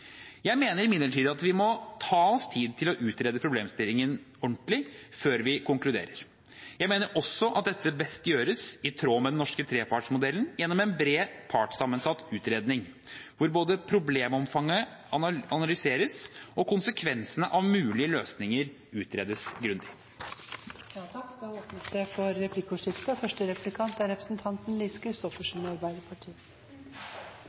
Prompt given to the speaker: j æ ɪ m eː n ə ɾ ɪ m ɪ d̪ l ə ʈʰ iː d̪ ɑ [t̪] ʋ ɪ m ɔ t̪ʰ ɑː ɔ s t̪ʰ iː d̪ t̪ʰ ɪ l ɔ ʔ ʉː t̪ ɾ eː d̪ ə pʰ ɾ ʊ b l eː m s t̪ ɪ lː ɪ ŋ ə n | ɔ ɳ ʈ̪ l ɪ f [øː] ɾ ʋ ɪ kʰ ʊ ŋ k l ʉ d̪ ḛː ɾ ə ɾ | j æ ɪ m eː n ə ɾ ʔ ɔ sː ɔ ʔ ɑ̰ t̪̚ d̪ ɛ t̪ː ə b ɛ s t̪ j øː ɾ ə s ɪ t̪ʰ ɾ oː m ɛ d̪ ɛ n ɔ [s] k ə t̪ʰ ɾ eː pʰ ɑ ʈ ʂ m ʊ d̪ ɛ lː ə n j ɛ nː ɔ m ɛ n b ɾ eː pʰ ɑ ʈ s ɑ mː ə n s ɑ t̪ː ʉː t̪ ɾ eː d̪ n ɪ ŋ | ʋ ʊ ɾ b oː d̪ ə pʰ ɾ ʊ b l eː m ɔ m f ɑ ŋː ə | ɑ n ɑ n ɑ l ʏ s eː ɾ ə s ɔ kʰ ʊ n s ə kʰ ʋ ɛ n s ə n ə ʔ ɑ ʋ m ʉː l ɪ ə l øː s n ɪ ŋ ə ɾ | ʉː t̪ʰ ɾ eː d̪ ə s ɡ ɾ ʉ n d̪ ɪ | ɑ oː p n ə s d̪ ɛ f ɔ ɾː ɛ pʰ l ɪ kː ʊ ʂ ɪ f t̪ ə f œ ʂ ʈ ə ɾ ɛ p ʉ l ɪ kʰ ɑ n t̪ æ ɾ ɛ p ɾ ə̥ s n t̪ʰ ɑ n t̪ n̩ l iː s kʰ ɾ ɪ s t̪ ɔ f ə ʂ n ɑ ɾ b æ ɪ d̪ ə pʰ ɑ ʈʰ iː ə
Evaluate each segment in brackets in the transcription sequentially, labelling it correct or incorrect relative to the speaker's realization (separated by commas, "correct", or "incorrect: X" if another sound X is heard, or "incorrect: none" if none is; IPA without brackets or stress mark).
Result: correct, correct, incorrect: ʂ